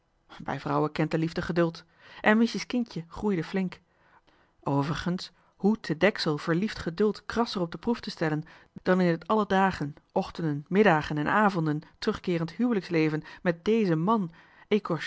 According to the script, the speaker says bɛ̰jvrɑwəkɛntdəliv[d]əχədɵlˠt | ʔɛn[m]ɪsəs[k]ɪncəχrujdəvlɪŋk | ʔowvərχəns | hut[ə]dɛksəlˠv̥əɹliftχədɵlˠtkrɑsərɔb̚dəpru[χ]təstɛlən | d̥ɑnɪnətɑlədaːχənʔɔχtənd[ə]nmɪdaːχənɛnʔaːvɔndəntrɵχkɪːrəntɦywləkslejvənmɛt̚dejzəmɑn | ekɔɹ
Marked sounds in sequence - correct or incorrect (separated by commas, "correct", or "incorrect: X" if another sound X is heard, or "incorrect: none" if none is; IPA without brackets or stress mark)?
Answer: correct, correct, correct, correct, incorrect: f, correct